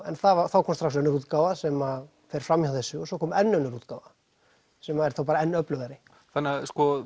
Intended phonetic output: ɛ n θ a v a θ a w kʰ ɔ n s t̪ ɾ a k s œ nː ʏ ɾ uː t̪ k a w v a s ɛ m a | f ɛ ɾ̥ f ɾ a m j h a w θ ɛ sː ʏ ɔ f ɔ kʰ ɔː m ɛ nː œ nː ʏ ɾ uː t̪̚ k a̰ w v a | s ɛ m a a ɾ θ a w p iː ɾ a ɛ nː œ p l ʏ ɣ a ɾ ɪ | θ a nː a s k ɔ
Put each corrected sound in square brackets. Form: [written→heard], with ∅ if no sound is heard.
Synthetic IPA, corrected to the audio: ɛ n θ a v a θ a w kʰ ɔ [n→m] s t̪ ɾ a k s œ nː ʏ ɾ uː t̪ k a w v a s ɛ m a | f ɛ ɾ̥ f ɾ a m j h a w θ ɛ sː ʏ ɔ [f→s] ɔ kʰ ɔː m ɛ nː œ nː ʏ ɾ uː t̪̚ k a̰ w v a | s ɛ m a [a→ɛ] ɾ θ a w p [iː→aː] ɾ a ɛ nː œ p l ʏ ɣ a ɾ ɪ | θ a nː a s k ɔ